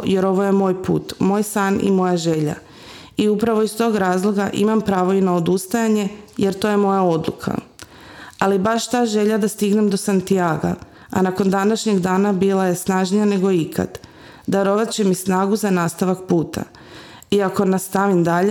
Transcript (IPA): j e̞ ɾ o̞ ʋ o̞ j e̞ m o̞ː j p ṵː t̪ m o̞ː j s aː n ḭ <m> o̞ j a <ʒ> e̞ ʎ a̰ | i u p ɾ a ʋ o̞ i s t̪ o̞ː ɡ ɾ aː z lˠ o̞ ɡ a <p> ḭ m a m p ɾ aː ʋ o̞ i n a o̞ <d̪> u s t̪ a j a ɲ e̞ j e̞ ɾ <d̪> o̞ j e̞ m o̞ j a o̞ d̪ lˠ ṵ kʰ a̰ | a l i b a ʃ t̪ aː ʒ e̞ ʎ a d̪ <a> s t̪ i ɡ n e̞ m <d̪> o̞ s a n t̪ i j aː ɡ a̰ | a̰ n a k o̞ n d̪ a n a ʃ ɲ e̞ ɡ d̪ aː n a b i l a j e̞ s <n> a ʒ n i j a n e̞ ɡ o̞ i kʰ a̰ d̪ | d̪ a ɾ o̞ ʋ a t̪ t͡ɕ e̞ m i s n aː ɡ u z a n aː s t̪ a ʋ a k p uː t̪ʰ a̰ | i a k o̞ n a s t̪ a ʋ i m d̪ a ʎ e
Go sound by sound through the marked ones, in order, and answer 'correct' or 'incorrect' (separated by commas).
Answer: correct, correct, incorrect, correct, incorrect, correct, correct, correct